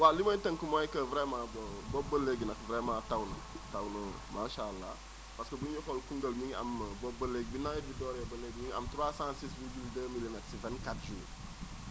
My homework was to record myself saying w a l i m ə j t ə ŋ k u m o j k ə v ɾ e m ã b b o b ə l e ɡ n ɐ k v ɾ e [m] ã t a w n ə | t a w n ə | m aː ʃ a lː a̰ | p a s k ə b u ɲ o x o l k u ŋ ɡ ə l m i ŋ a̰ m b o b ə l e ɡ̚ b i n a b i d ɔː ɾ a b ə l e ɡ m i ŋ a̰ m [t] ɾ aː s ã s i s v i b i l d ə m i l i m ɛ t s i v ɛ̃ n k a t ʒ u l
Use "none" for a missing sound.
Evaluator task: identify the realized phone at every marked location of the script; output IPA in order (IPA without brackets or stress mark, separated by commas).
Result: m, t